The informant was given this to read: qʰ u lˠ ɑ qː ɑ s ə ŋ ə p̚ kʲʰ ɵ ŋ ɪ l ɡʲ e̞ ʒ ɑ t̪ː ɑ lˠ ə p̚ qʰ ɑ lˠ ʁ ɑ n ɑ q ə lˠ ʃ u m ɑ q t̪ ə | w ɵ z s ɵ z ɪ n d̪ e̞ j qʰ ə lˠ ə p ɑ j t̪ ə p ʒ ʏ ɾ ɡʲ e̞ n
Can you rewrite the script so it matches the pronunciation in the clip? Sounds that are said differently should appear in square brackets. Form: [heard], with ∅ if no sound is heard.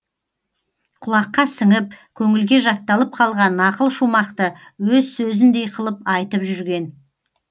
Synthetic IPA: qʰ [ʊ] lˠ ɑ qː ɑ s ə ŋ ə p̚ kʲʰ ɵ ŋ ɪ l ɡʲ e̞ ʒ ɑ t̪ː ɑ lˠ ə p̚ qʰ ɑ lˠ ʁ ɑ n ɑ q ə lˠ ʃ u m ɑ q t̪ ə | w ɵ z s ɵ z ɪ n d̪ e̞ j qʰ ə lˠ ə p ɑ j t̪ ə p ʒ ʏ ɾ ɡʲ e̞ n

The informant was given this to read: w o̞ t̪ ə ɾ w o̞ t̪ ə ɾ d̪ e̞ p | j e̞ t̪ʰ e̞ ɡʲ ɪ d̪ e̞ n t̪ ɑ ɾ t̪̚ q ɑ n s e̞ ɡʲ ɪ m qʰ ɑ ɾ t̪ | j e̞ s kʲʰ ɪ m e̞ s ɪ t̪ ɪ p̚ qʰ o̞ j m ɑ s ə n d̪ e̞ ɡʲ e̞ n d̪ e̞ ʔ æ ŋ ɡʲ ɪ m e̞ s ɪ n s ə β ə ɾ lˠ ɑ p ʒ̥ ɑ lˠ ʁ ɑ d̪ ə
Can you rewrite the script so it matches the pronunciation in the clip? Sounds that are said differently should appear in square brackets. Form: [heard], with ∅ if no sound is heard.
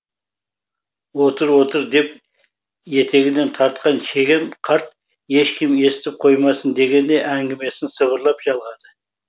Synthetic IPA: w o̞ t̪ ə ɾ w o̞ t̪ ə ɾ d̪ e̞ p | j e̞ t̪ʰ e̞ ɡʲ ɪ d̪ e̞ n [t̪ʰ] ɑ ɾ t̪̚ q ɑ n [ʃ] e̞ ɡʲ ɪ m qʰ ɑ ɾ t̪ | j e̞ [ʃ] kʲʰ ɪ m e̞ s ɪ t̪ ɪ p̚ qʰ o̞ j m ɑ s ə n d̪ e̞ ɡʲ e̞ n d̪ e̞ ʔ æ ŋ ɡʲ ɪ m e̞ s ɪ n s ə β ə ɾ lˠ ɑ p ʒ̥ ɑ lˠ ʁ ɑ d̪ ə

